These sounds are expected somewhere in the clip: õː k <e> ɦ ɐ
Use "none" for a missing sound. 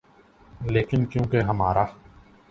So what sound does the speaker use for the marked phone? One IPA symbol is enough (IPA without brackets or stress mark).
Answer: e